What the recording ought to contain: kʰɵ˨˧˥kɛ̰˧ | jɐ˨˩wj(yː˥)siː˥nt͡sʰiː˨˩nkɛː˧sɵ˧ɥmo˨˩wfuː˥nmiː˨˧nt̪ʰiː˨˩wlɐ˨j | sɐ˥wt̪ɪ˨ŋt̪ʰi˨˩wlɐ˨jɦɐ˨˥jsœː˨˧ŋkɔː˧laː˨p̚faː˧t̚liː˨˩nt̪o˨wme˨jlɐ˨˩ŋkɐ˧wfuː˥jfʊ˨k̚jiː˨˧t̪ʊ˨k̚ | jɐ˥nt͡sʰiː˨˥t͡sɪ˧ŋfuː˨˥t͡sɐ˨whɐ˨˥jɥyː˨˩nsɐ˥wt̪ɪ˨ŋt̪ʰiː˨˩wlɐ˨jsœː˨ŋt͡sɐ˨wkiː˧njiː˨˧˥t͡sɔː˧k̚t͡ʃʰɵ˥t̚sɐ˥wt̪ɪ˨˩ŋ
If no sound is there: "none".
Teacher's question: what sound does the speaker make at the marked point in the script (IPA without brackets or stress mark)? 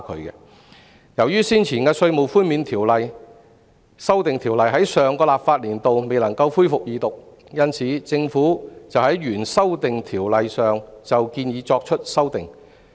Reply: yː˥